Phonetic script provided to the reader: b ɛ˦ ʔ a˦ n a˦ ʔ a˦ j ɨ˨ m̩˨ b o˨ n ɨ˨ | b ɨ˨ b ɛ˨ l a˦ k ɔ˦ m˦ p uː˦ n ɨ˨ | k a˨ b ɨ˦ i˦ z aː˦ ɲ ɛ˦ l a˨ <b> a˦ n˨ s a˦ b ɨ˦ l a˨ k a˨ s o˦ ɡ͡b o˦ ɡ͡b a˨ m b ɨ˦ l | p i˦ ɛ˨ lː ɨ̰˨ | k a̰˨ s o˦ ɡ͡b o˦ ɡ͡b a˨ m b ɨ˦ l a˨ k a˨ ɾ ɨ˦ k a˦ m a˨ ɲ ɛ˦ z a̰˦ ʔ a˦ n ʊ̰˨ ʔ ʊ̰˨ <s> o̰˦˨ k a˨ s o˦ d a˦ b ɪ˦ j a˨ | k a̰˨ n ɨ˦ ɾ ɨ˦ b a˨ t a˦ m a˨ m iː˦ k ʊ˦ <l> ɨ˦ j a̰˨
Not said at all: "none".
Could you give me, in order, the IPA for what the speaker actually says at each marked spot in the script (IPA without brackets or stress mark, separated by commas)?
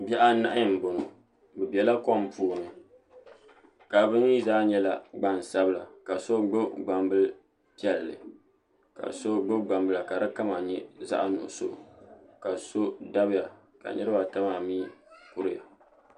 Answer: ɡ͡b, s, ɾ